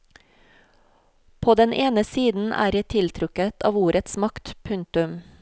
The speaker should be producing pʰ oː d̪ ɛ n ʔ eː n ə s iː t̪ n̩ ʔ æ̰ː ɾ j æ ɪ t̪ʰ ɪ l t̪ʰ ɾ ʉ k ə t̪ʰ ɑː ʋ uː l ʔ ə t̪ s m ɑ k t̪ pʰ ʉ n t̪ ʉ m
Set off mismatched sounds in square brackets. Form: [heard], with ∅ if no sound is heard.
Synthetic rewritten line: pʰ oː d̪ ɛ n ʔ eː n ə s iː [d̪] n̩ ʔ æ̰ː ɾ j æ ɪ t̪ʰ ɪ l t̪ʰ ɾ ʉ k ə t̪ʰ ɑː ʋ uː [ɾ] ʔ ə t̪ s m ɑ k t̪ pʰ ʉ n t̪ ʉ m